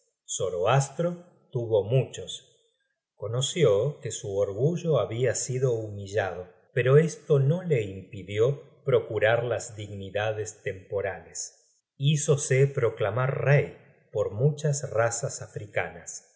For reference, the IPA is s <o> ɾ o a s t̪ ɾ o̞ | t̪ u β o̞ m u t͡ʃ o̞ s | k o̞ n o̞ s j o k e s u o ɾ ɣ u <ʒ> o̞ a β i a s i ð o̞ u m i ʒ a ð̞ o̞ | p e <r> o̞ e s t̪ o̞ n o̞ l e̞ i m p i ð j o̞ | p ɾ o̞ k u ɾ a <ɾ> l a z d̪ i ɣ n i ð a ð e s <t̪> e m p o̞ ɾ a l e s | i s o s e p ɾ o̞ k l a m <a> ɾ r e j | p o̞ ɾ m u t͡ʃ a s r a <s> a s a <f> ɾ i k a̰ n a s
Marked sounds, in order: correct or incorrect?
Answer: correct, correct, incorrect: ɾ, correct, correct, correct, correct, correct

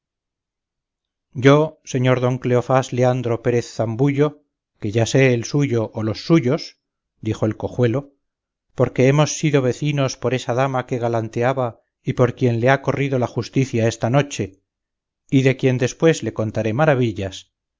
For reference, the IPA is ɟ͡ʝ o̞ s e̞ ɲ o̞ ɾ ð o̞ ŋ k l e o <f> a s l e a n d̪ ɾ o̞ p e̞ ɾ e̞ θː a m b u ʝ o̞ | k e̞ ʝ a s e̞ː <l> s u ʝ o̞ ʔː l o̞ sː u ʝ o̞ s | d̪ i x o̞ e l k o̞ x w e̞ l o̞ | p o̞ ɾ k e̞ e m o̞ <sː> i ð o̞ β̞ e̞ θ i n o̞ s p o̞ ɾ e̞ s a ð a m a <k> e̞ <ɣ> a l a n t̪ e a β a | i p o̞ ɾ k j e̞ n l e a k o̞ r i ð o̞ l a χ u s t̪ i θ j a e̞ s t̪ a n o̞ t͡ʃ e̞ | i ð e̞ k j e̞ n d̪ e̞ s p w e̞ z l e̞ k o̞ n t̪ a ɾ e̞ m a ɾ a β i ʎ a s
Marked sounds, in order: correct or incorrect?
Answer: correct, correct, correct, correct, correct

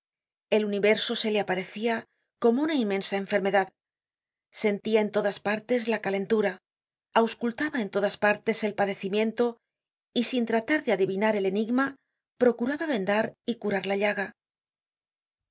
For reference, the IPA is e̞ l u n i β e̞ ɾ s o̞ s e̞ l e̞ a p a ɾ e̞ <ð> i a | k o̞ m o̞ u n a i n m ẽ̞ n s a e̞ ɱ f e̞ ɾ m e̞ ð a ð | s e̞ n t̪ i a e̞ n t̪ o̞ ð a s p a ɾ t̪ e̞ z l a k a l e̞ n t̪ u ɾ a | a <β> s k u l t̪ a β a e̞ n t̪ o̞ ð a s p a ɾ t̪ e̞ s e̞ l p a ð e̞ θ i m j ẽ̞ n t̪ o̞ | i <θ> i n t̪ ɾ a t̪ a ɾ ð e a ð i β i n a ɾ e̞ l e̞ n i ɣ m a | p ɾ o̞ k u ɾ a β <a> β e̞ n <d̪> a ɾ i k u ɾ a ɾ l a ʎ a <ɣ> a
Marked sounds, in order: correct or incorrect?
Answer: incorrect: θ, incorrect: w, incorrect: s, correct, correct, correct

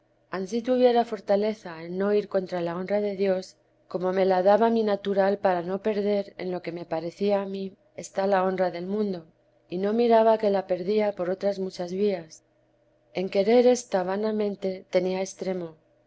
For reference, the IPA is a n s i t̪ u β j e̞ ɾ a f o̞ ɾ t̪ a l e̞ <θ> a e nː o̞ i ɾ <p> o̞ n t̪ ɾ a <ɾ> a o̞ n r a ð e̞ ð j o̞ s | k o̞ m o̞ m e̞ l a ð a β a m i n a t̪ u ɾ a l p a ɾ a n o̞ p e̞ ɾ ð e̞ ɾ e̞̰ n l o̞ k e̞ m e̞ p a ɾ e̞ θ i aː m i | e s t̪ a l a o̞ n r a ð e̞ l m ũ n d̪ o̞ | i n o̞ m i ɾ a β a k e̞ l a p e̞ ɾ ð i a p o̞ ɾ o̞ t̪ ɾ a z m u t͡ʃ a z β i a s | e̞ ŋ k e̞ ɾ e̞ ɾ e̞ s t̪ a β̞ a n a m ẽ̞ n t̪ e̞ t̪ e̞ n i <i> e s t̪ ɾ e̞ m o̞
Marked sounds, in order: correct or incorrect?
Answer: correct, incorrect: k, incorrect: l, incorrect: a

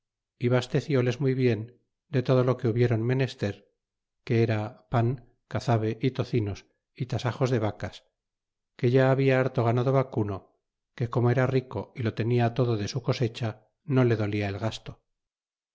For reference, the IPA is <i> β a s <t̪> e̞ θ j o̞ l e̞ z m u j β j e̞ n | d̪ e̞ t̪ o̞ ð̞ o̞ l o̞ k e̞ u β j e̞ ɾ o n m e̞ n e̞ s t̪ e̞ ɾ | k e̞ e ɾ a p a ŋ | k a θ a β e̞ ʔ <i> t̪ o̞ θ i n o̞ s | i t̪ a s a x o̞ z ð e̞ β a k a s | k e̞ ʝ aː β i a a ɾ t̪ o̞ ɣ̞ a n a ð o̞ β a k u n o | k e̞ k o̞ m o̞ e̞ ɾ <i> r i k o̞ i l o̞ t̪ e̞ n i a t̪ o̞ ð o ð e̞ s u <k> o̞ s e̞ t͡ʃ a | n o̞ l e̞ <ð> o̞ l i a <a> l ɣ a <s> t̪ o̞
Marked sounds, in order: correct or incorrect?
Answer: correct, correct, correct, incorrect: a, correct, correct, incorrect: e, correct

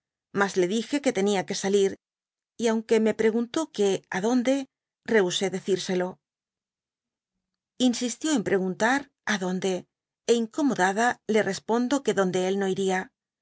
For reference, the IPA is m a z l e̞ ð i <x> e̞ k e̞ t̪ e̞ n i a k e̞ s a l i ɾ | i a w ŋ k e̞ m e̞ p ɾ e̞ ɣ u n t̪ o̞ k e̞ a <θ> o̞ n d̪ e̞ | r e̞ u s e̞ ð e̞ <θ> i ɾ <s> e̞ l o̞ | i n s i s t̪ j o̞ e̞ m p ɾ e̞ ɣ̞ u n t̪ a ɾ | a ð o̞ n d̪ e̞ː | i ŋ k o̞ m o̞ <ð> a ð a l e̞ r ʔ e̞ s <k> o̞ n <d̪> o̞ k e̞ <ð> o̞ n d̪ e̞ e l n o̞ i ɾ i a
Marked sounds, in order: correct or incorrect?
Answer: correct, incorrect: ð, correct, correct, correct, incorrect: p, correct, correct

